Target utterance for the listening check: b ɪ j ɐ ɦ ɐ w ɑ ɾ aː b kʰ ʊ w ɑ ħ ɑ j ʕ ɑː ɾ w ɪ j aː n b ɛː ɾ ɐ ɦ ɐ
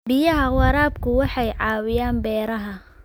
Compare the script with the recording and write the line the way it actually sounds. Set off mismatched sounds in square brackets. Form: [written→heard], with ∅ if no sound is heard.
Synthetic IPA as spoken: b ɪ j ɐ ɦ ɐ w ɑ ɾ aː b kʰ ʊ w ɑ ħ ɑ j ʕ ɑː [ɾ→∅] w ɪ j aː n b ɛː ɾ ɐ ɦ ɐ